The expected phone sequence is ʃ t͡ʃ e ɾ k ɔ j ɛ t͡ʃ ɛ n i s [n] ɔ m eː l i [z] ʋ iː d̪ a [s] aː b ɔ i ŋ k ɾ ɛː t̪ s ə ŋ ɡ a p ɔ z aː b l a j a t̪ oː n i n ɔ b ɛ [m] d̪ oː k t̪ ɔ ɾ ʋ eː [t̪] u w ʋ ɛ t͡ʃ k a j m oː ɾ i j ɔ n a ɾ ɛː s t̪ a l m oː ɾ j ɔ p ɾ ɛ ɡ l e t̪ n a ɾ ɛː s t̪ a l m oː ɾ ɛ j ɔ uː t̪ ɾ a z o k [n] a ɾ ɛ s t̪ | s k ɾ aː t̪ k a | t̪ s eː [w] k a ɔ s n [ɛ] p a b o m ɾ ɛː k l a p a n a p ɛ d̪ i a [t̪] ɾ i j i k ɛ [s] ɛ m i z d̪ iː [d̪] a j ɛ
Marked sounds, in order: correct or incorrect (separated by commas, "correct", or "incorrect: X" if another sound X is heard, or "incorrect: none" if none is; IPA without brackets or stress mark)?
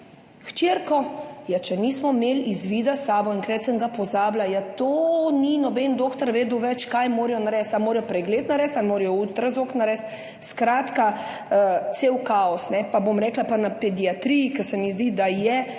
incorrect: m, correct, correct, incorrect: n, incorrect: d̪, correct, correct, correct, correct, correct, correct